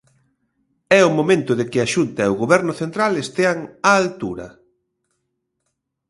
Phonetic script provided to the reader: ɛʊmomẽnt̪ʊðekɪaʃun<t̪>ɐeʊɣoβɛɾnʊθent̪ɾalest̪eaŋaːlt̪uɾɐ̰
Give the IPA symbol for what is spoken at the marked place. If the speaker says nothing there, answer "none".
t̪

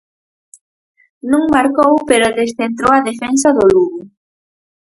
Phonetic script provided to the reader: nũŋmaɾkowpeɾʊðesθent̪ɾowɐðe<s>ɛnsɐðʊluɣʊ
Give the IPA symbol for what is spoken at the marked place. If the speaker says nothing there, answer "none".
f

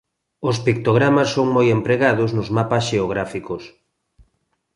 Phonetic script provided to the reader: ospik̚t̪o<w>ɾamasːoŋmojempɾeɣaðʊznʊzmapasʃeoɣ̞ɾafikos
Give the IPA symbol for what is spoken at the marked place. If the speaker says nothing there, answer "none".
ɣ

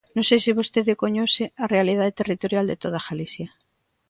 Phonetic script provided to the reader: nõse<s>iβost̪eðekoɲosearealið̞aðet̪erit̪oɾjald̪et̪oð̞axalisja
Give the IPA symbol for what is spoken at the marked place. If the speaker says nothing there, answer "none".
s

